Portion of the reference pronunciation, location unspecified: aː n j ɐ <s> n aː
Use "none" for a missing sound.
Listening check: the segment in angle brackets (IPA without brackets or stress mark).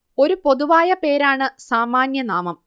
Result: none